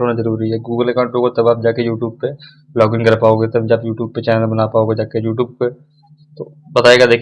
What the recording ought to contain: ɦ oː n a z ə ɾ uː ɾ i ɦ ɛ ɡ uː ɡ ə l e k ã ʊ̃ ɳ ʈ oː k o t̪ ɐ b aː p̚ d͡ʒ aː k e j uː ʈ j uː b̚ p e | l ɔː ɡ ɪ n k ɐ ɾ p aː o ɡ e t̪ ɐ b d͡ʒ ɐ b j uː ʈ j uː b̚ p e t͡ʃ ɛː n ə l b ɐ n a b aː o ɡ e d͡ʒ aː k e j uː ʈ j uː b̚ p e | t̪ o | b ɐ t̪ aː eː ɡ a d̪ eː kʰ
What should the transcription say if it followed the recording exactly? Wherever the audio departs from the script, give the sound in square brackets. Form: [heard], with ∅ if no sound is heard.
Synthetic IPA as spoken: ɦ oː n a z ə ɾ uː ɾ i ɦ ɛ ɡ uː ɡ ə l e k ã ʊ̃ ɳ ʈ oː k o t̪ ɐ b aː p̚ d͡ʒ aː k e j uː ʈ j uː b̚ p e | l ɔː ɡ ɪ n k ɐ ɾ p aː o ɡ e t̪ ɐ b d͡ʒ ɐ b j uː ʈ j uː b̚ p e t͡ʃ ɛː n ə l b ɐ n a [p] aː o ɡ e d͡ʒ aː k e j uː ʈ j uː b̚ p e | t̪ o | b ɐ t̪ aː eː ɡ a d̪ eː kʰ